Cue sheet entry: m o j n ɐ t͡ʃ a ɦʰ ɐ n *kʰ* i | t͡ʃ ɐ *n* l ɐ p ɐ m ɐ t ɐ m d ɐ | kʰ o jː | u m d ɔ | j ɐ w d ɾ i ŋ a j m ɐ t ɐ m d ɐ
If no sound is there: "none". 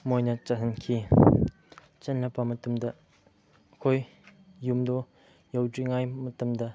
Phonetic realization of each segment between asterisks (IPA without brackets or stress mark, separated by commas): kʰ, n